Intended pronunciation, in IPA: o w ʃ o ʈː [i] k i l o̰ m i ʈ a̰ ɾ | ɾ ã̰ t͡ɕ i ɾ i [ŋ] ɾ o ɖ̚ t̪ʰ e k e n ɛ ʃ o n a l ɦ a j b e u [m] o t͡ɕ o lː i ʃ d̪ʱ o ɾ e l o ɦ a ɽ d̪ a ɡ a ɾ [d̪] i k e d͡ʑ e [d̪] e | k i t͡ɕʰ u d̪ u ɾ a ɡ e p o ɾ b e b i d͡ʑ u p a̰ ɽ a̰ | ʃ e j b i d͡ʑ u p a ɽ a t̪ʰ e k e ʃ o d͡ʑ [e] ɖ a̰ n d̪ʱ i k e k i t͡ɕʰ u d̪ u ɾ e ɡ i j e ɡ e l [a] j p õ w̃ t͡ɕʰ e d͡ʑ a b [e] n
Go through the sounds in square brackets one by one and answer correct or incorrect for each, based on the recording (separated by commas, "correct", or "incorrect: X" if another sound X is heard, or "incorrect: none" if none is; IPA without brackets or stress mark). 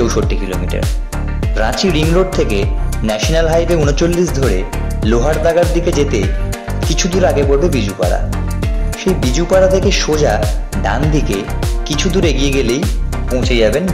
correct, correct, incorrect: n, correct, incorrect: t̪, incorrect: a, incorrect: e, correct